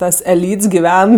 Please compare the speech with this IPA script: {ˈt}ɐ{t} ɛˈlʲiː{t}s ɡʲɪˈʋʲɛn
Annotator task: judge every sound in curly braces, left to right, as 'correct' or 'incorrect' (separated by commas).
correct, incorrect, correct